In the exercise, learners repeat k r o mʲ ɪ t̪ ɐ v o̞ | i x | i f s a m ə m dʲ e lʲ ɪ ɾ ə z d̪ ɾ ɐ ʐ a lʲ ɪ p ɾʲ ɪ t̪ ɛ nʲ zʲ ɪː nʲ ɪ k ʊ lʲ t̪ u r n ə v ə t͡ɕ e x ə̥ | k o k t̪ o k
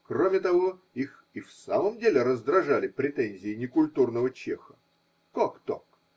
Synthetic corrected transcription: k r o mʲ ɪ t̪ ɐ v o̞ | i x | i f s a m ə m dʲ e lʲ ɪ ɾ ə z d̪ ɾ ɐ ʐ a lʲ ɪ p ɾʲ ɪ t̪ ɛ nʲ zʲ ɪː nʲ ɪ k ʊ lʲ t̪ u r n ə v ə t͡ɕ e x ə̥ | k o k t̪ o k